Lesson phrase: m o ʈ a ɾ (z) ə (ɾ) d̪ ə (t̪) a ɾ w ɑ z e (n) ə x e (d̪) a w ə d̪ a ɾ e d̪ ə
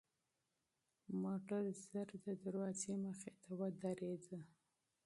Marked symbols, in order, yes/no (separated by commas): yes, yes, no, no, no